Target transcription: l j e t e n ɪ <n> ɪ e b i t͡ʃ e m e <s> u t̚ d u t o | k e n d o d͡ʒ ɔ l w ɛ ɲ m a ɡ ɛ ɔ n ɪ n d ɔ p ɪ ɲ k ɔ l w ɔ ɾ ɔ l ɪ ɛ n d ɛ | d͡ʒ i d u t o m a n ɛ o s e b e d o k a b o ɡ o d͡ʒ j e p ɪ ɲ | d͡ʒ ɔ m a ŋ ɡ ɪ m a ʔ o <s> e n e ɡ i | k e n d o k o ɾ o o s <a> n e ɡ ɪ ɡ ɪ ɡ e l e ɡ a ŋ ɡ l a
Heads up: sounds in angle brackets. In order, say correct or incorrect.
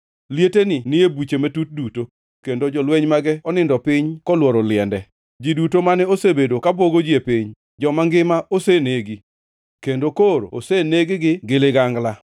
correct, incorrect: t, correct, incorrect: e

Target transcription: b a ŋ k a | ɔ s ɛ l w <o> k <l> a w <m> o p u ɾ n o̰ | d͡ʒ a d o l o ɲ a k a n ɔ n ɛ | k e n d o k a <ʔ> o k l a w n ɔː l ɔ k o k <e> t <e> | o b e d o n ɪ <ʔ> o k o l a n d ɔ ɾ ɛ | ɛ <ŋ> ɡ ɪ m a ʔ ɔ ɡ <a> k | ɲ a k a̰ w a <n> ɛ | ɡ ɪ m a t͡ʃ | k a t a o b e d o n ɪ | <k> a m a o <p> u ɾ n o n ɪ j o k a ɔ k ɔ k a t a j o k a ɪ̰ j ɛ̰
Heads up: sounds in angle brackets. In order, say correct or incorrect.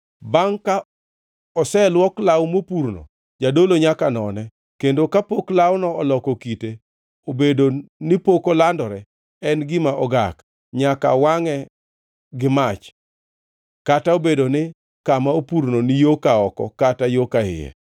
incorrect: ɔ, correct, correct, incorrect: p, incorrect: i, correct, incorrect: p, incorrect: n, correct, incorrect: ŋ, correct, correct

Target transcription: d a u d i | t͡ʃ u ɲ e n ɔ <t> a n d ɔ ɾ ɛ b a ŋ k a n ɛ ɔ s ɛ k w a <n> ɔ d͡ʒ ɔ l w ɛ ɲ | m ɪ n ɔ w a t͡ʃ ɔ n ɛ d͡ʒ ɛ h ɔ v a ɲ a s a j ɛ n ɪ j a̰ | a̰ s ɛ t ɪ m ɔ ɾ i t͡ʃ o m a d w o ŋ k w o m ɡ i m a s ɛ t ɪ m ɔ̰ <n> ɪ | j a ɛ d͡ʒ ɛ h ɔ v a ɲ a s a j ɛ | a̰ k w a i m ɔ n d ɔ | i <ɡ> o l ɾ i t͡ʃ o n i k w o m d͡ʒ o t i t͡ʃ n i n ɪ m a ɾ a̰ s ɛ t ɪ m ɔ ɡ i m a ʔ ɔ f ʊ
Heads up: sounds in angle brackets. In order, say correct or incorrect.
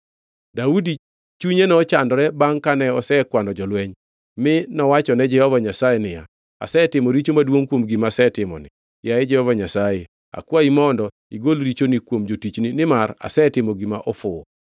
incorrect: t͡ʃ, correct, correct, correct

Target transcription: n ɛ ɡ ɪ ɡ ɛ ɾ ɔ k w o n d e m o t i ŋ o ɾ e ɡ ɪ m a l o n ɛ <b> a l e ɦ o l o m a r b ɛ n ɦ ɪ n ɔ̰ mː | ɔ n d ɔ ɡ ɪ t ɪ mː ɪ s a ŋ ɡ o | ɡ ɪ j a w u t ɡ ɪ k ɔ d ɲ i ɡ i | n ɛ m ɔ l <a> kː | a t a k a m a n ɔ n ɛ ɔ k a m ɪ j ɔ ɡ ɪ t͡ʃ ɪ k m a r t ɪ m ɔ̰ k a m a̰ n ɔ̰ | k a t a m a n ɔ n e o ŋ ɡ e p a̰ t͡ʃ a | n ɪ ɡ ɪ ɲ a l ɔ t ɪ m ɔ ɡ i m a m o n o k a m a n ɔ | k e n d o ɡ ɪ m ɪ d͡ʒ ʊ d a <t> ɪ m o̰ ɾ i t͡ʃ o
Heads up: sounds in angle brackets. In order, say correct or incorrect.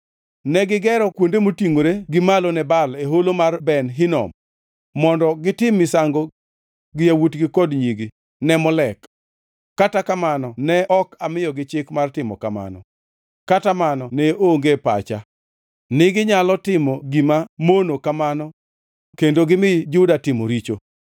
correct, incorrect: ɛ, correct

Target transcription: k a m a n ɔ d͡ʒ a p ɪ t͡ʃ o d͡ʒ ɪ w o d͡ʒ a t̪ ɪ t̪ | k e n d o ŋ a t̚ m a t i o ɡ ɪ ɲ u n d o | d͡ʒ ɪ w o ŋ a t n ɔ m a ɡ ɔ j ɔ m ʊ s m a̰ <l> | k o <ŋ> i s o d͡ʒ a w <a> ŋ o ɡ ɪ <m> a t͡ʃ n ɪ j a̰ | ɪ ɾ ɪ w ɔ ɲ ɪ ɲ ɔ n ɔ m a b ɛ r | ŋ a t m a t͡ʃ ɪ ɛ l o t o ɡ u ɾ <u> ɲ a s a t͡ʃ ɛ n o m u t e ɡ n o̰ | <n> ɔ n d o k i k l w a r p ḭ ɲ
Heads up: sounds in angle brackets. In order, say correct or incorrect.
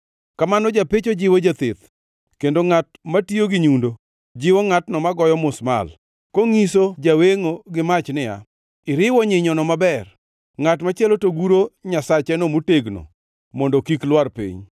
correct, correct, incorrect: e, correct, incorrect: o, incorrect: m

